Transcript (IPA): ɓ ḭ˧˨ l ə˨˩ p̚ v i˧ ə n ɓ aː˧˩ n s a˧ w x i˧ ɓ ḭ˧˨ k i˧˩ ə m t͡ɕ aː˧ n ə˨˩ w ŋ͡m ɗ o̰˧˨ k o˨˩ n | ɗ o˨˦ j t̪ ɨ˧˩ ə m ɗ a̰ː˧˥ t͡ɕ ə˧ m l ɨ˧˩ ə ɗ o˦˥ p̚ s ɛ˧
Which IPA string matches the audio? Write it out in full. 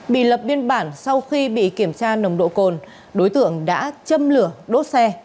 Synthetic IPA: ɓ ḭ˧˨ l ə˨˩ p̚ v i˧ ə n ɓ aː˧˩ n s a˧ w x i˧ ɓ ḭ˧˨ k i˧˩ ə m t͡ɕ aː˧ n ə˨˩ w ŋ͡m ɗ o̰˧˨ k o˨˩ n | ɗ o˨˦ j t̪ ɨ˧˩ ə ŋ ɗ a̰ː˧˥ t͡ɕ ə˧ m l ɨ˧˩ ə ɗ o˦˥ t̚ s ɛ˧

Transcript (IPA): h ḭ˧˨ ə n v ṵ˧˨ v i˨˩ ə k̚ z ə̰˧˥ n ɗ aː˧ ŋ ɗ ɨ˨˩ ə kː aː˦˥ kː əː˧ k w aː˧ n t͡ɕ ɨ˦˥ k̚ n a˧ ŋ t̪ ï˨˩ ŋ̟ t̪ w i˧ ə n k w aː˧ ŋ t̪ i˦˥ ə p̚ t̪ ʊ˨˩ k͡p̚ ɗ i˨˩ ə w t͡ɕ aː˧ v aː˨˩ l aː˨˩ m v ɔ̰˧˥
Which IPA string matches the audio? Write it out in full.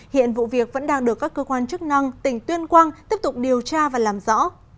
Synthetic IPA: h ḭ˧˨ ə n v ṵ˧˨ v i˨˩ ə k̚ v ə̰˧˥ n ɗ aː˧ ŋ ɗ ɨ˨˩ ə kː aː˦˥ kː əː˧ k w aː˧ n t͡ɕ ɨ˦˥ k̚ n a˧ ŋ t̪ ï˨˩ ŋ̟ t̪ w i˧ ə n k w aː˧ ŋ t̪ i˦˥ ə p̚ t̪ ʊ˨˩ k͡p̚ ɗ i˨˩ ə w t͡ɕ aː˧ v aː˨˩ l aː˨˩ m z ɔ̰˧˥

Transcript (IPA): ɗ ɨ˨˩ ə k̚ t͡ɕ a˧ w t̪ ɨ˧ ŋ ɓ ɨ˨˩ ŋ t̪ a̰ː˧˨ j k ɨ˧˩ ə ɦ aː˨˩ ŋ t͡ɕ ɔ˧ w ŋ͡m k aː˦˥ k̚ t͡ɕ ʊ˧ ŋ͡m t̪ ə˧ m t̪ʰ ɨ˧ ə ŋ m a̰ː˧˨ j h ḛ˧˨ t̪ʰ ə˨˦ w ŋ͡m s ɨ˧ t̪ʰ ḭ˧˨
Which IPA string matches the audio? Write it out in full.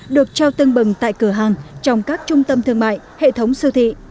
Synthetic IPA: ɗ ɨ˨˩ ə k̚ t͡ɕ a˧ w t̪ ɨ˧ ŋ ɓ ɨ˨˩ ŋ t̪ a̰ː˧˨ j k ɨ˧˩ ə ɦ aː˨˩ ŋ t͡ɕ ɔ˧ w ŋ͡m k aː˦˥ k̚ t͡ɕ ʊ˧ ŋ͡m t̪ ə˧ m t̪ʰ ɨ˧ ə ŋ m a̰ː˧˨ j h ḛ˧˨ t̪ʰ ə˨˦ w ŋ͡m s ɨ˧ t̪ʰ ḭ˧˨

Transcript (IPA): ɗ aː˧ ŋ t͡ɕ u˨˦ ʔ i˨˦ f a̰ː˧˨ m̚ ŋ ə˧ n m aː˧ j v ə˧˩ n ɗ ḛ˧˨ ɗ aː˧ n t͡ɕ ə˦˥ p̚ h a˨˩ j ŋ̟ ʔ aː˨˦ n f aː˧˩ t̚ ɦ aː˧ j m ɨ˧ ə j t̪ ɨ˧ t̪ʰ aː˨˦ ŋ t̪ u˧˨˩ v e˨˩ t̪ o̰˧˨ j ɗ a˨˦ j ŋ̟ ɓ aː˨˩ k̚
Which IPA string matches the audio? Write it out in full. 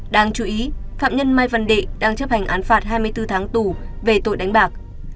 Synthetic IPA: ɗ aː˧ ŋ t͡ɕ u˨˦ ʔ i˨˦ f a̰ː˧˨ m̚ ɲ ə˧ n m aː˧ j v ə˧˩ n ɗ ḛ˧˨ ɗ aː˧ ŋ t͡ɕ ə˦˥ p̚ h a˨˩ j ŋ̟ ʔ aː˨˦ n f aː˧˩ t̚ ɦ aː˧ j m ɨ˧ ə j t̪ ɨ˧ t̪ʰ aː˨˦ ŋ t̪ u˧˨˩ v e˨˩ t̪ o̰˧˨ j ɗ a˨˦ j ŋ̟ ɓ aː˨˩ k̚

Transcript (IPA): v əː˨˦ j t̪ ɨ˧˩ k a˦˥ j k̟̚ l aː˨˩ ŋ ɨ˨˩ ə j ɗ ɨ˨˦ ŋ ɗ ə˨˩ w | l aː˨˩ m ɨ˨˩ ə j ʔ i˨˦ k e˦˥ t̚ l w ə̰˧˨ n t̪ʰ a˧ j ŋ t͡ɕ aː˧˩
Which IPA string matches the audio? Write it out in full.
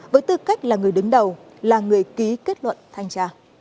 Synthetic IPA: v əː˨˦ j t̪ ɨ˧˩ k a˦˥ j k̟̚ l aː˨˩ ŋ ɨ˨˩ ə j ɗ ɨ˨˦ ŋ ɗ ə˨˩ w | l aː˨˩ ŋ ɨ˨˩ ə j k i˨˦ k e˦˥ t̚ l w ə̰˧˨ n t̪ʰ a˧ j ŋ t͡ɕ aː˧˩

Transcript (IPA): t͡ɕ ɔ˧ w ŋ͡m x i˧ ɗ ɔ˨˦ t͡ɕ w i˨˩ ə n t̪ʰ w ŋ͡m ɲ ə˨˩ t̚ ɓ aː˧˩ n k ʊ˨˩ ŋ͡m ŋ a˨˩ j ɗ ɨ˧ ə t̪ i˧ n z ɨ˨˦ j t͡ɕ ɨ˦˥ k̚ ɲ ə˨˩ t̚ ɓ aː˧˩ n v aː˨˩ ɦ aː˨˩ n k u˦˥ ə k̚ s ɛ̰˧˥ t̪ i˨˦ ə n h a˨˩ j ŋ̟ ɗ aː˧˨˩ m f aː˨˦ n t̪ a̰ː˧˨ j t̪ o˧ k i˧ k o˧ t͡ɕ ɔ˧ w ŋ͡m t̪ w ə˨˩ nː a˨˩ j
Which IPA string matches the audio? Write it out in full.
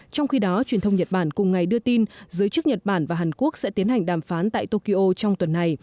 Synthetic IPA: t͡ɕ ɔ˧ w ŋ͡m x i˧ ɗ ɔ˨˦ t͡ɕ w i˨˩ ə n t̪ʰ w ŋ͡m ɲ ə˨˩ t̚ ɓ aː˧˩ n k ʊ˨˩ ŋ͡m ŋ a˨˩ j ɗ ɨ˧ ə t̪ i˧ n z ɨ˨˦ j t͡ɕ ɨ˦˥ k̚ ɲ ə˨˩ t̚ ɓ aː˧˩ n v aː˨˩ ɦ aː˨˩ n k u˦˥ ə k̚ s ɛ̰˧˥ t̪ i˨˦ ə n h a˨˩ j ŋ̟ ɗ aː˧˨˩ m f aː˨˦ n t̪ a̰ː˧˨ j t̪ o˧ k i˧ ʔ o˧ t͡ɕ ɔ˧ w ŋ͡m t̪ w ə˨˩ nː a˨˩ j

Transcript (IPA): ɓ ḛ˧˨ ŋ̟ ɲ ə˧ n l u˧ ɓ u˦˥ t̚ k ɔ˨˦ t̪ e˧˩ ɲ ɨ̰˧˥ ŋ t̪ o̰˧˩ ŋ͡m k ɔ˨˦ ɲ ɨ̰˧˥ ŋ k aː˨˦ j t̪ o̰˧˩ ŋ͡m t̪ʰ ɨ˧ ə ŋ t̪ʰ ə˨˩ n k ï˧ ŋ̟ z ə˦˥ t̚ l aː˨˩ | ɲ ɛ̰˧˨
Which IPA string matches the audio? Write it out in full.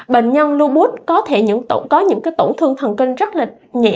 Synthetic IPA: ɓ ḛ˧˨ ŋ̟ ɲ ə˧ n l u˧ ɓ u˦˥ t̚ k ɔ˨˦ t̪ʰ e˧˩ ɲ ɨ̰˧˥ ŋ t̪ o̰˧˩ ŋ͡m k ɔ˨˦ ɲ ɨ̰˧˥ ŋ k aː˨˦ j t̪ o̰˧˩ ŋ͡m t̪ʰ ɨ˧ ə ŋ t̪ʰ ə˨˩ n k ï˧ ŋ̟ z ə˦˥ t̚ l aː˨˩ | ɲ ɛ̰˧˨

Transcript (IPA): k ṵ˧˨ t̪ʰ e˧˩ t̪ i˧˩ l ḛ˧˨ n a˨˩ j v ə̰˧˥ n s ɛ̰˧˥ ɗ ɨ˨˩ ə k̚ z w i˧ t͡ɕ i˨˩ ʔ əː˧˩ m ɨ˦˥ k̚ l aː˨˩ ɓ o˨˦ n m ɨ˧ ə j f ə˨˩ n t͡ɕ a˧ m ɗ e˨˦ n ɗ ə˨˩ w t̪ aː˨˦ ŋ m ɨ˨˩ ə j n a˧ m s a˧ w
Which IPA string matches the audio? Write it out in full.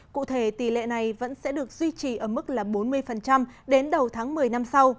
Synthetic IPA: k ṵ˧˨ t̪ʰ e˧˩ t̪ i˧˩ l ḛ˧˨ n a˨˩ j v ə̰˧˥ n s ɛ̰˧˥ ɗ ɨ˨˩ ə k̚ z w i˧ t͡ɕ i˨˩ ʔ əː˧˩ m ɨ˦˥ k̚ l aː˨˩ ɓ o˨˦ n m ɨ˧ ə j f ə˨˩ n t͡ɕ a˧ m ɗ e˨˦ n ɗ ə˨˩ w t̪ʰ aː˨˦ ŋ m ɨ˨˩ ə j n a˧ m s a˧ w

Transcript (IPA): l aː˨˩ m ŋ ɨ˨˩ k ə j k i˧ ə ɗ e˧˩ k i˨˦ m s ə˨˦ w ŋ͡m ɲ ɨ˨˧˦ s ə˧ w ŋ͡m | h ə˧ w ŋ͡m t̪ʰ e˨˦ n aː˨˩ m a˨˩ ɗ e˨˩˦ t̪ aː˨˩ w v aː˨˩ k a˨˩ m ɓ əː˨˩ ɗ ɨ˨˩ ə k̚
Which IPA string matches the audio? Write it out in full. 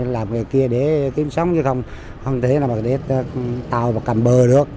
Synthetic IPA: l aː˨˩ m ŋ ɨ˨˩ ə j k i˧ ə ɗ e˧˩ k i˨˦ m s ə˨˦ w ŋ͡m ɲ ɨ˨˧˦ x ə˧ w ŋ͡m | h ə˧ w ŋ͡m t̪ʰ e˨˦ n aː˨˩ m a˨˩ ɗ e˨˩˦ t̪ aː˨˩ w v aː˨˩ k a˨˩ m ɓ əː˨˩ ɗ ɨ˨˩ ə k̚

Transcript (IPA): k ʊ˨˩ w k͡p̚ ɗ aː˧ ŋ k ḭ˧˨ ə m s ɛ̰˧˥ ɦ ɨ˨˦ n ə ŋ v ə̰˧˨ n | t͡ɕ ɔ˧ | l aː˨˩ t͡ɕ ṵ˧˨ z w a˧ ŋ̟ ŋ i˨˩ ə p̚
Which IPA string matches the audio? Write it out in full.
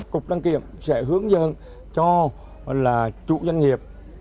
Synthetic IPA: k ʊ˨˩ k͡p̚ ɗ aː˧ ŋ k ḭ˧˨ ə m s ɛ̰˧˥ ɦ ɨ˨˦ ə ŋ z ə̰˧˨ n | t͡ɕ ɔ˧ | l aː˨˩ t͡ɕ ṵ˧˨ z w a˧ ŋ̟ ŋ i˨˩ ə p̚

